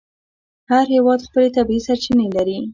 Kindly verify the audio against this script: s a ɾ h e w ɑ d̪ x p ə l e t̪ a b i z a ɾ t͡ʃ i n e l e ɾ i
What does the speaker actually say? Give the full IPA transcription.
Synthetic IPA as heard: h a ɾ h e w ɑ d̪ x p ə l e t̪ a b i s a ɾ t͡ʃ i n e l a ɾ i